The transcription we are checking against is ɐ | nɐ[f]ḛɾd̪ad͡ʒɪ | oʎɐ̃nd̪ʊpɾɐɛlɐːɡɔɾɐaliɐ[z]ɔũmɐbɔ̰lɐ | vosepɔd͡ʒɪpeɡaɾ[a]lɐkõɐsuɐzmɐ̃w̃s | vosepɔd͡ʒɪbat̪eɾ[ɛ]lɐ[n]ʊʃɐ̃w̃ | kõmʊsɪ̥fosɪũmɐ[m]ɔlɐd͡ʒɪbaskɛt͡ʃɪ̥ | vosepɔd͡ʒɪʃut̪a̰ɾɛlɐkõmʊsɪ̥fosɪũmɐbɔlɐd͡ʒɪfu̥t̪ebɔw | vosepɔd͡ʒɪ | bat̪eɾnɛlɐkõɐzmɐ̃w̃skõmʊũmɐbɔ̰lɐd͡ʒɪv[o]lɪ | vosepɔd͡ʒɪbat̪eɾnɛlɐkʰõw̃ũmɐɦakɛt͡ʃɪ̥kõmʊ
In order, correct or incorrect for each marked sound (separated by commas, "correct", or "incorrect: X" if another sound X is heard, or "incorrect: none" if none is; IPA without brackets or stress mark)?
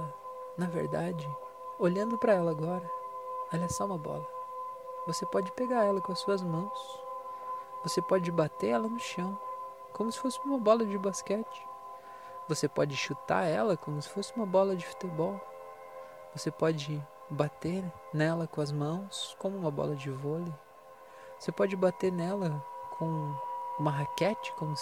incorrect: v, incorrect: s, incorrect: ɛ, correct, correct, incorrect: b, correct